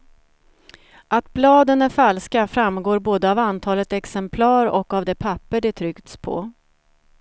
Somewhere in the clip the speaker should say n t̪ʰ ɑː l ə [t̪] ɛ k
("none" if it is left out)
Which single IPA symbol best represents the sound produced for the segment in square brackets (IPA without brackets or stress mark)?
t̪